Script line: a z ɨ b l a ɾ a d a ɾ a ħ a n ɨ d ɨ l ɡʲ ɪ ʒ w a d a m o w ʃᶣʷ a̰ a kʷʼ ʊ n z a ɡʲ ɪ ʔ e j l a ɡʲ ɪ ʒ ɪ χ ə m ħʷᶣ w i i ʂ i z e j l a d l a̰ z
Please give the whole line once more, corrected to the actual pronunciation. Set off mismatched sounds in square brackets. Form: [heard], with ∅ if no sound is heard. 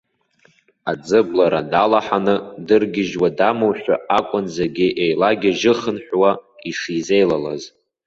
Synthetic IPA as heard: a [d͡z] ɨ b l a ɾ a d a [l] a ħ a n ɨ d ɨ [r] ɡʲ ɪ ʒ w a d a m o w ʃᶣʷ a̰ a kʷʼ ʊ n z a ɡʲ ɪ ʔ e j l a ɡʲ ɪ ʒ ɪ χ ə [n] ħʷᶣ w [a] i ʂ i z e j l a [∅] l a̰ z